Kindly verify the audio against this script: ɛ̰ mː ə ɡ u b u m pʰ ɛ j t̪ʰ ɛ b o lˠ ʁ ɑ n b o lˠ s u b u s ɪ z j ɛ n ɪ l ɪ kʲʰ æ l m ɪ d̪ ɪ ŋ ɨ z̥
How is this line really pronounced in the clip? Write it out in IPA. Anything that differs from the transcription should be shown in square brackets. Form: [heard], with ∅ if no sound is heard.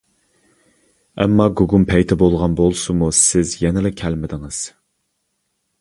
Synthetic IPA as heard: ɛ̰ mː [ɑ] ɡ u [ɡ] u m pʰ ɛ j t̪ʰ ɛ b o lˠ ʁ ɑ n b o lˠ s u [m] u s ɪ z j ɛ n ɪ l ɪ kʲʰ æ l m ɪ d̪ ɪ ŋ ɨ z̥